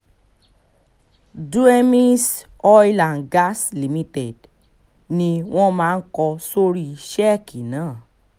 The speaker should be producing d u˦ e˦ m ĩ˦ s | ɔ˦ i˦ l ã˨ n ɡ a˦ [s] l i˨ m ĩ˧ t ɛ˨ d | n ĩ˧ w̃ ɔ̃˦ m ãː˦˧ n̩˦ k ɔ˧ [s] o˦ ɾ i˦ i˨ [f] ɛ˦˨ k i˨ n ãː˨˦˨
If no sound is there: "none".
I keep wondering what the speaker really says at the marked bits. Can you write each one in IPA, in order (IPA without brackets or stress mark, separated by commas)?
s, s, ʃ